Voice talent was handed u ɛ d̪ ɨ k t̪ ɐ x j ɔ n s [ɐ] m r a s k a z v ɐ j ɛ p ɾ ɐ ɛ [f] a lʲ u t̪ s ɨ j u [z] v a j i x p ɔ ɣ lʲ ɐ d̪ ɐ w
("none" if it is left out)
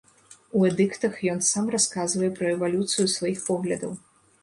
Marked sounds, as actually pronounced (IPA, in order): a, v, s

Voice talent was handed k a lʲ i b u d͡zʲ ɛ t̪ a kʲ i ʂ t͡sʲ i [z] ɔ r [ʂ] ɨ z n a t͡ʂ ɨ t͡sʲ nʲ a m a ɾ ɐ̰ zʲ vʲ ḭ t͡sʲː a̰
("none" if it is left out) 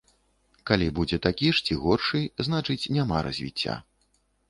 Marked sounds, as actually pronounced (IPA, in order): ɣ, ʂ

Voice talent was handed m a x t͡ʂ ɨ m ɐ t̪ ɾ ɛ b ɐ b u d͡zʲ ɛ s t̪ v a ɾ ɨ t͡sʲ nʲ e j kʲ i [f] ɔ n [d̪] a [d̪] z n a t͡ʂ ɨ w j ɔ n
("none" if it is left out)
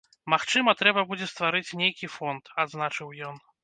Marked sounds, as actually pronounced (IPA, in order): f, t̪, d̪

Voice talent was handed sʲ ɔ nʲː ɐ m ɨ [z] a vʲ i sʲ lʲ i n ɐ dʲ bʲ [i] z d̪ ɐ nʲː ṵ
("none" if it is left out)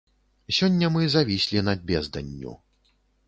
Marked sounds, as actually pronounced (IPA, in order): z, ɛ

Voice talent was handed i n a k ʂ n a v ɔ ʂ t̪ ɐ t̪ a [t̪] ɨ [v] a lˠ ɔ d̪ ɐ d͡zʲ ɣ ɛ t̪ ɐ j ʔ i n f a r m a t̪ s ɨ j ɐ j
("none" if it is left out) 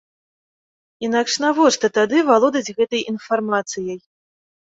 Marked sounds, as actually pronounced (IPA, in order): d̪, v

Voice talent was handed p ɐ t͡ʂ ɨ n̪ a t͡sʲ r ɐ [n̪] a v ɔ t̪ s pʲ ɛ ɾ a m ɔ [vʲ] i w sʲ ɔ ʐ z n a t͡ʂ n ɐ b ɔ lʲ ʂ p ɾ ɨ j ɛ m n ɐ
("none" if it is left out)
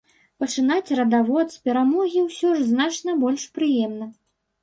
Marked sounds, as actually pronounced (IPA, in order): d̪, ɣʲ

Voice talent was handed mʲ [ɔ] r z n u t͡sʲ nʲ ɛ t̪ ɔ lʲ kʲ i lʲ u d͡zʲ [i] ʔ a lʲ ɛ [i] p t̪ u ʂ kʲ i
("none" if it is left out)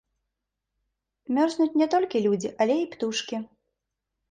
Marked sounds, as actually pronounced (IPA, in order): ɔ, i, i

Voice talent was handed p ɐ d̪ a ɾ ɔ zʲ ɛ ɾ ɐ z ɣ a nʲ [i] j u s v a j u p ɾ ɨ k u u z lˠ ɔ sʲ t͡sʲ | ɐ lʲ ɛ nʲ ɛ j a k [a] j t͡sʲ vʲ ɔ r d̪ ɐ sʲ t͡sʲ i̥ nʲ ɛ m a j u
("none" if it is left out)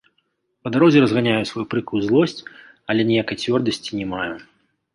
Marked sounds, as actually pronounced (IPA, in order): a, ɐ

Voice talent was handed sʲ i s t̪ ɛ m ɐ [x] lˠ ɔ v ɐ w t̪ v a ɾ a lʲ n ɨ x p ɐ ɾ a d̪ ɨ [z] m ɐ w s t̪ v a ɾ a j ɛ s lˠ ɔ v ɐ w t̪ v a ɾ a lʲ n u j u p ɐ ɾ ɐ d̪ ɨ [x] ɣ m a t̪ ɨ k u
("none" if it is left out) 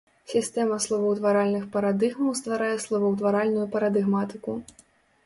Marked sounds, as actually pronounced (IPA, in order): s, ɣ, none

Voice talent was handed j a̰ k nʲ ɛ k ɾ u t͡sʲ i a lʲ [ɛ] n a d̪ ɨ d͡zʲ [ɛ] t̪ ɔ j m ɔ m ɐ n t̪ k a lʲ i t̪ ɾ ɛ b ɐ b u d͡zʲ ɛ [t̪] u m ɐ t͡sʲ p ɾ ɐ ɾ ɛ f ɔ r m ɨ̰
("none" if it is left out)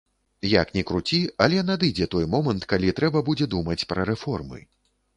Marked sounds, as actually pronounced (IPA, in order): ɛ, ɛ, d̪

